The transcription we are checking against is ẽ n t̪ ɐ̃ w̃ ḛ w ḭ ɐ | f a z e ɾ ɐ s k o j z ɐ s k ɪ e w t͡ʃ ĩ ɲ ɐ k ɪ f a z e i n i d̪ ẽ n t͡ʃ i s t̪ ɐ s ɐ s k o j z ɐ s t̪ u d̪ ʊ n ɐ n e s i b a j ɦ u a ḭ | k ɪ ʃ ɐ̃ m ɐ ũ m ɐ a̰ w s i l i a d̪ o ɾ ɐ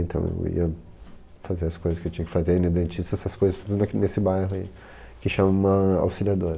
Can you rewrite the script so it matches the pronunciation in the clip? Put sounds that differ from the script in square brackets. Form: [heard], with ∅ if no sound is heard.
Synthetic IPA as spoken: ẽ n t̪ ɐ̃ w̃ ḛ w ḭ ɐ | f a z e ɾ ɐ s k o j z ɐ s k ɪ e w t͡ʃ ĩ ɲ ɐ k ɪ f a z e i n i d̪ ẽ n t͡ʃ i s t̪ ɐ s ɐ s k o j z ɐ s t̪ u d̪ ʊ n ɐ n e s [ɪ] b a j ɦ [ʊ] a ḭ | k ɪ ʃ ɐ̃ m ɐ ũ m ɐ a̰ w s i l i a d̪ o ɾ ɐ